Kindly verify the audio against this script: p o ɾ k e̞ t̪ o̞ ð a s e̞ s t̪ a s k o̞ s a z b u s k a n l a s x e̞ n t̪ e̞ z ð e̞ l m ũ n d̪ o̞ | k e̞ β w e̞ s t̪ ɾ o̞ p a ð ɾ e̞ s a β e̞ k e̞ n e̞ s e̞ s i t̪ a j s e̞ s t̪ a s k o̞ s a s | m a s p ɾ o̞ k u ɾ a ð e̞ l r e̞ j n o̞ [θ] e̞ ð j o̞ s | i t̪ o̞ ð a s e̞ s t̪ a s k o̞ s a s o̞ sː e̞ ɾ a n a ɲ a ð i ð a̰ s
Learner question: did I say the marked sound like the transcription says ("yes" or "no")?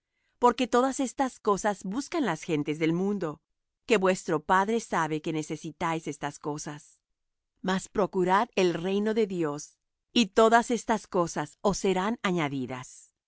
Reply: no